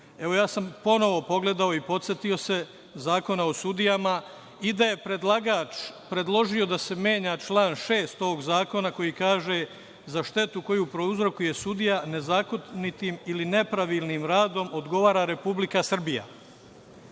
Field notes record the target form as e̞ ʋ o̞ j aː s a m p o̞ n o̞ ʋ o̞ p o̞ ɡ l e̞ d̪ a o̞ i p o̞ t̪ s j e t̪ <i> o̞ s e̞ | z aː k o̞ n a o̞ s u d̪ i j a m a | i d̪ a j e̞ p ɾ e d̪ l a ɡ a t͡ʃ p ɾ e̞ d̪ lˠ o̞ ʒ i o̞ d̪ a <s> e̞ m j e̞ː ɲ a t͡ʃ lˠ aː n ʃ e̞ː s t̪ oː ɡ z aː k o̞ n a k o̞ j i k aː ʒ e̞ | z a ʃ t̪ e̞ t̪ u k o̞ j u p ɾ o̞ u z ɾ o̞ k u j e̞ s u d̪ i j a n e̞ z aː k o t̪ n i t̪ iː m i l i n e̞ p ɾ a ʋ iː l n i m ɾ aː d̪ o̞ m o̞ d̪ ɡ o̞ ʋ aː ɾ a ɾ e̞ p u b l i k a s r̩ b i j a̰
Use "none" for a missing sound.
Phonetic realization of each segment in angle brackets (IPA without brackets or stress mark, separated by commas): i, s